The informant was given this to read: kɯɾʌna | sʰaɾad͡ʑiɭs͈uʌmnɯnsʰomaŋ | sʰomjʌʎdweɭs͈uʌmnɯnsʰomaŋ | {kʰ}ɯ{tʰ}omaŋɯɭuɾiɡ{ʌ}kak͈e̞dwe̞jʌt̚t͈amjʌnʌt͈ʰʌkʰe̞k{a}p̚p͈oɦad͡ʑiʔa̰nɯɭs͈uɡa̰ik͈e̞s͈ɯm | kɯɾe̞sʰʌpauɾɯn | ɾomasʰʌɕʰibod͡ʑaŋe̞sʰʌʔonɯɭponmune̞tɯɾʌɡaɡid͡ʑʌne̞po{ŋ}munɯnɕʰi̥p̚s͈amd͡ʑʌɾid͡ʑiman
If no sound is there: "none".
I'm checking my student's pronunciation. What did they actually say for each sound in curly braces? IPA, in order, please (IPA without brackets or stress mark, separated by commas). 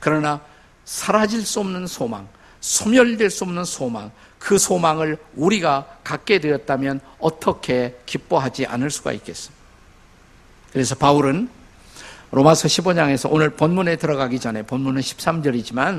k, sʰ, a, i, n